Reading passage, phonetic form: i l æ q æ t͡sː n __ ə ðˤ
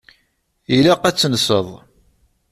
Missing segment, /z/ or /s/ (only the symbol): s